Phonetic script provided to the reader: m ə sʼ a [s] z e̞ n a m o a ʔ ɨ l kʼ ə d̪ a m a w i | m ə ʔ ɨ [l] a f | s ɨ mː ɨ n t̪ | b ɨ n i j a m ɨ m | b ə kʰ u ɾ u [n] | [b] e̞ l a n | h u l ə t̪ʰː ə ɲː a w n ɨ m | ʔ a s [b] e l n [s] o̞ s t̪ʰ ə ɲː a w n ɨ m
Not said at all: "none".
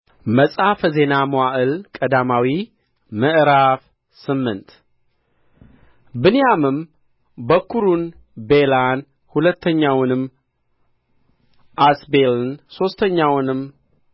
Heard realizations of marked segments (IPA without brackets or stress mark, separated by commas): f, ɾ, n, b, b, s